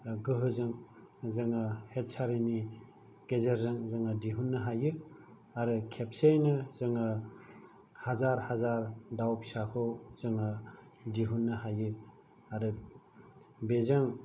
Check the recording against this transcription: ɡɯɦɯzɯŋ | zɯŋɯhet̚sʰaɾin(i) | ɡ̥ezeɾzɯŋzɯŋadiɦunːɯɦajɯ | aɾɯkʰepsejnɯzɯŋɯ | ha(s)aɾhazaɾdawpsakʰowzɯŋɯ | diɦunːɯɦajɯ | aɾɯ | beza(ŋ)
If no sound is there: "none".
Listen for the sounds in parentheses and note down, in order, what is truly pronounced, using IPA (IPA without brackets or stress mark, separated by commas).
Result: i, z, ŋ